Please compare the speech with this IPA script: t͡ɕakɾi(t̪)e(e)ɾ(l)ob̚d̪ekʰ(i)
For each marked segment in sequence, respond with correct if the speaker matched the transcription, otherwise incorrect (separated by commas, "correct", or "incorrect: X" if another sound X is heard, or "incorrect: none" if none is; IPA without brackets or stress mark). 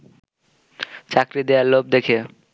incorrect: d̪, incorrect: a, correct, incorrect: e